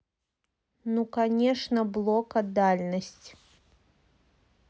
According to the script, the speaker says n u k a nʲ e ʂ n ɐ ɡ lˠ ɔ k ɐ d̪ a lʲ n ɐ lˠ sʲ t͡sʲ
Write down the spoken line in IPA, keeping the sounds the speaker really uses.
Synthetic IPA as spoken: n u k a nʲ ɛ ʂ n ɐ b lˠ ɔ k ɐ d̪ a lʲ n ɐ sʲ t͡sʲ